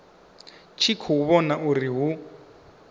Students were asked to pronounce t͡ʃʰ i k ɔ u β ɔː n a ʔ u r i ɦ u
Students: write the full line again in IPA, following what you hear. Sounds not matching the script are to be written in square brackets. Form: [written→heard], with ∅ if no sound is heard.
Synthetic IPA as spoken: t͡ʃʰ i [k→kʰ] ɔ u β [ɔː→ɔ] n a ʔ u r i ɦ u